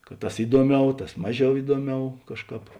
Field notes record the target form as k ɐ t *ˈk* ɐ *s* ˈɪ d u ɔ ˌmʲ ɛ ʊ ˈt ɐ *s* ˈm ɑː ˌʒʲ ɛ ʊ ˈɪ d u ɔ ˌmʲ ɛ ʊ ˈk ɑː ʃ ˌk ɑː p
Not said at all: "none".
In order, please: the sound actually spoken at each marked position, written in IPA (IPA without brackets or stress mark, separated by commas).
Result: t, s, s